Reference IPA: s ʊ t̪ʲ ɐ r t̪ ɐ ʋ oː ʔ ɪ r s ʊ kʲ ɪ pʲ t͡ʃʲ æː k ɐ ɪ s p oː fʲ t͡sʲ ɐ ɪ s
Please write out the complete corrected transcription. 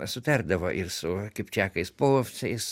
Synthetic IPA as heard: s ʊ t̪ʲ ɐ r d̪ ɐ ʋ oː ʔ ɪ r s ʊ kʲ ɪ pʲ t͡ʃʲ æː k ɐ ɪ s p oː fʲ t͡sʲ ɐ ɪ s